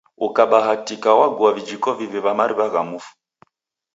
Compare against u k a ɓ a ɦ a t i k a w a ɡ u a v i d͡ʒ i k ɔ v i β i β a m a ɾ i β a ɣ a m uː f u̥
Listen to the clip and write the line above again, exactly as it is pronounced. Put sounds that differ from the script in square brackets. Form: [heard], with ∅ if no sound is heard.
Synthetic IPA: u k a ɓ a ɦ a t i k a w a ɡ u a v i d͡ʒ i k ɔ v i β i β a m a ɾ i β a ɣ a m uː f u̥